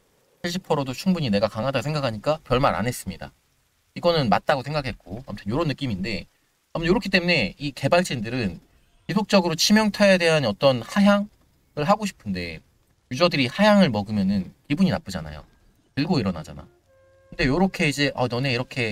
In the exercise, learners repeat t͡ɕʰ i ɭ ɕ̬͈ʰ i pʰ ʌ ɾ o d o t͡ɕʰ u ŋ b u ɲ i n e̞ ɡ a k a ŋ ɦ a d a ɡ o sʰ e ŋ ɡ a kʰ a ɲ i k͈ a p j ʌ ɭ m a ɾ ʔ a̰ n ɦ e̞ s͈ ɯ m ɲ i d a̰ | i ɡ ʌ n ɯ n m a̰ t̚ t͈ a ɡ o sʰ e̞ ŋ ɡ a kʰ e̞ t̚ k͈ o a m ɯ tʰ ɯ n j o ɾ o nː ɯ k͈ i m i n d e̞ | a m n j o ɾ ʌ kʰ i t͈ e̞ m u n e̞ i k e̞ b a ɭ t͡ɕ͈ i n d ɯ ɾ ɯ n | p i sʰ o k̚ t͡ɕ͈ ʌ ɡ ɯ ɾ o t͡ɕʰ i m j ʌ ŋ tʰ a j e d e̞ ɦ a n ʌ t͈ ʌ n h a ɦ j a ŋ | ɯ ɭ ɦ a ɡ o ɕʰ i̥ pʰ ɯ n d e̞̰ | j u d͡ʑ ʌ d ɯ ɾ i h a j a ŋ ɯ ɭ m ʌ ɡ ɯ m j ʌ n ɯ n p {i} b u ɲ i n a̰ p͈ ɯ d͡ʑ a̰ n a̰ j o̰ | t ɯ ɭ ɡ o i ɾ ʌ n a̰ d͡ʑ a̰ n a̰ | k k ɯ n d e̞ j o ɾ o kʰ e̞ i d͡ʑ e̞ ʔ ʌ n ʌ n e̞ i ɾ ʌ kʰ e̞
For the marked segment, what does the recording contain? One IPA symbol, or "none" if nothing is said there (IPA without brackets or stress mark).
i